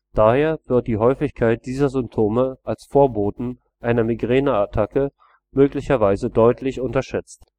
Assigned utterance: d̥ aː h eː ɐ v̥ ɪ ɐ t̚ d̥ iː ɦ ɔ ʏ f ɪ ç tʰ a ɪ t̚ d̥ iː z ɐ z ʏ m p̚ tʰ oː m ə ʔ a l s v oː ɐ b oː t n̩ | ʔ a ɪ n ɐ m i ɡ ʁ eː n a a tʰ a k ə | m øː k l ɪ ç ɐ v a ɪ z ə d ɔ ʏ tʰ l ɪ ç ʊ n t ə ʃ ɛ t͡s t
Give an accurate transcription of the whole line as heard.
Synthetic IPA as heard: d̥ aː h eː ɐ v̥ ɪ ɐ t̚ d̥ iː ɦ ɔ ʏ f ɪ ç kʰ a ɪ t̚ d̥ iː z ɐ z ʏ m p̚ tʰ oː m ə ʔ a l s f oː ɐ b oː t n̩ | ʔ a ɪ n ɐ m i ɡ ʁ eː n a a tʰ a k ə | m øː k l ɪ ç ɐ v a ɪ z ə d ɔ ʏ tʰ l ɪ ç ʊ n t ɐ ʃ ɛ t͡s t